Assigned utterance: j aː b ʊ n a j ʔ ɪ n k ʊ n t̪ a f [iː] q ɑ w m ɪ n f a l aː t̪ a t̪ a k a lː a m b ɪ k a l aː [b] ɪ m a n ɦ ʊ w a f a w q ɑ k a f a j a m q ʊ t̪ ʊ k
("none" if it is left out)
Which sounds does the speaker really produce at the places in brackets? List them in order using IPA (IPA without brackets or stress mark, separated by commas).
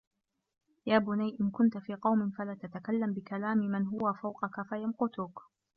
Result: iː, m